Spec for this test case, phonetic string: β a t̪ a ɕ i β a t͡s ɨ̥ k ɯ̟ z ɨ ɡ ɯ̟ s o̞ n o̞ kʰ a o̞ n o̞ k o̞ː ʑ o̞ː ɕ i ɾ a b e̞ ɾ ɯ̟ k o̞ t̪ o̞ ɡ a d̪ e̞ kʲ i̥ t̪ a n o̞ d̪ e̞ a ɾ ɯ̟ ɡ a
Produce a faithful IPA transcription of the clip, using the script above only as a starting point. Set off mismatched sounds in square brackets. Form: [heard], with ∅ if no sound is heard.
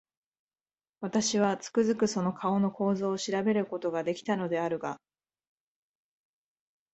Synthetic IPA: β a t̪ a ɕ i β a t͡s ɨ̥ k ɯ̟ z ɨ [k] ɯ̟ s o̞ n o̞ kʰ a o̞ n o̞ k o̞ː [z] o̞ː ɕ i ɾ a b e̞ ɾ ɯ̟ k o̞ t̪ o̞ ɡ a d̪ e̞ kʲ i̥ t̪ a n o̞ d̪ e̞ a ɾ ɯ̟ ɡ a